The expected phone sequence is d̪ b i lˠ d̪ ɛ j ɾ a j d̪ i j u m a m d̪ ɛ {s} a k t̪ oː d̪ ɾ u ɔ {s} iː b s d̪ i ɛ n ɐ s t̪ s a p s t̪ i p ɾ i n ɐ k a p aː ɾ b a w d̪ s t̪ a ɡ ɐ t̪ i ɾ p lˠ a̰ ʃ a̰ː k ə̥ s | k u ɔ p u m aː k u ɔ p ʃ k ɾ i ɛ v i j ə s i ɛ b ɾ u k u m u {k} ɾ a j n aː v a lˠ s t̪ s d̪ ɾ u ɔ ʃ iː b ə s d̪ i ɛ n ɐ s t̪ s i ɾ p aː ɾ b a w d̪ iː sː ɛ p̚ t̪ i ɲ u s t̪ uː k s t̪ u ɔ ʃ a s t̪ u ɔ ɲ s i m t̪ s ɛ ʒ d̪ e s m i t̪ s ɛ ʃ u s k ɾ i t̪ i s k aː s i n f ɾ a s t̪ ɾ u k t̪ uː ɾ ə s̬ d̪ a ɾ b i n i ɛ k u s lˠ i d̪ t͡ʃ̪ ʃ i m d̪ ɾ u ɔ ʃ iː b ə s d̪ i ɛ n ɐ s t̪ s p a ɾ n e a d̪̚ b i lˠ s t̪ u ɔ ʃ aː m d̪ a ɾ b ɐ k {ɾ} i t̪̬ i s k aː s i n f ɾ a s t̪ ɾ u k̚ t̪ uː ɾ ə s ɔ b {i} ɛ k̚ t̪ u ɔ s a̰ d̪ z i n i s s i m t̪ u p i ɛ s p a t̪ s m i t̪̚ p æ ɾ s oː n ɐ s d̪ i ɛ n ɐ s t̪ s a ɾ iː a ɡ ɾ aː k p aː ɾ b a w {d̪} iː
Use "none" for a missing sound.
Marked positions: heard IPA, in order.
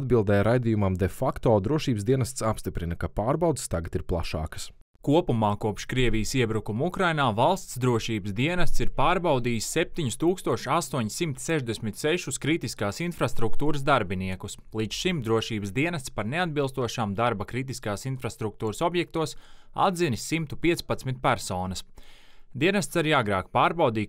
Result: f, ʃ, k, ɾ, j, d̪

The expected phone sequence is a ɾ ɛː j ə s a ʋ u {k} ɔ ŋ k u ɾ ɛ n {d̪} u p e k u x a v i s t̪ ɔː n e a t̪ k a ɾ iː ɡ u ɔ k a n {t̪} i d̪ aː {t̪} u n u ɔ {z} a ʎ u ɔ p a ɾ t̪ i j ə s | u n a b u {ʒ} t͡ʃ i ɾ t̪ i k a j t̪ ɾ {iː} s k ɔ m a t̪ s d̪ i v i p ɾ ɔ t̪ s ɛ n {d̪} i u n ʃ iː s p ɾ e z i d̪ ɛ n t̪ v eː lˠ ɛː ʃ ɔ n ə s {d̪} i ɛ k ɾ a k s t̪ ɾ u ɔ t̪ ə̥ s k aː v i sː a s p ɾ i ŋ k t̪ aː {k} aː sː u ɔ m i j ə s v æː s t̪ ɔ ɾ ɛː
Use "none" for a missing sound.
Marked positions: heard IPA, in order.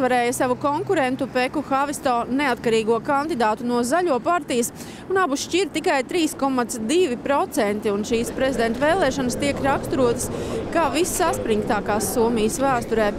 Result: k, t̪, d̪, t̪, z, ʃ, iː, t̪, t̪, k

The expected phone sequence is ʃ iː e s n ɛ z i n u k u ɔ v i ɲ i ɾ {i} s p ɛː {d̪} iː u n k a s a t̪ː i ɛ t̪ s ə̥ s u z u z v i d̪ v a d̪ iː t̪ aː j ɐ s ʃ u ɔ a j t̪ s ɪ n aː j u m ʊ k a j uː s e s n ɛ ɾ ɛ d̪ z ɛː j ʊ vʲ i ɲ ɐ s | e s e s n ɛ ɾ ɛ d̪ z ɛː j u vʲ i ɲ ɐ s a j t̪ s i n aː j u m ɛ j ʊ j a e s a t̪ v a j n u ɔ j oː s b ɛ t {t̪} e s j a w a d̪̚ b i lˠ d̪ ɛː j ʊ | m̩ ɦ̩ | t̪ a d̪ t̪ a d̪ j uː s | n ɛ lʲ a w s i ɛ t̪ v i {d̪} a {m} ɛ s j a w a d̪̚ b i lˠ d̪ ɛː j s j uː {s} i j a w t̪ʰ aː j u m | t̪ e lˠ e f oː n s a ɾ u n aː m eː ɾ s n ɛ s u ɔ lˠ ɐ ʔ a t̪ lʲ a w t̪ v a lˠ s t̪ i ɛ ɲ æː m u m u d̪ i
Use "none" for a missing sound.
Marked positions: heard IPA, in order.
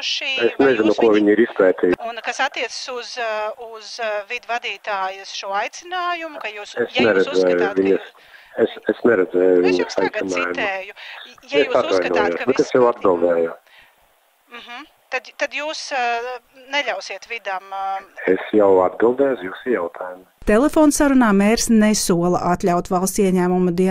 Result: i, t̪, t̪, d̪, m, s

